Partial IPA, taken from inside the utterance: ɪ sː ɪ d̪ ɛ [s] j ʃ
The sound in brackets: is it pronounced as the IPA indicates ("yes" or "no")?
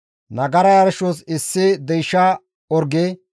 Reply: no